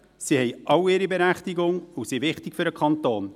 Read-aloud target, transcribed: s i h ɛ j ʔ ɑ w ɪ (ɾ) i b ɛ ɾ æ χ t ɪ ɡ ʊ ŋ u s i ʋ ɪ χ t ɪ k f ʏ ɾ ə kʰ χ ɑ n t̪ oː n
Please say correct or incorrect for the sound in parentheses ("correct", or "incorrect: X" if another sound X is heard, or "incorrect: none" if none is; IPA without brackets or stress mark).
correct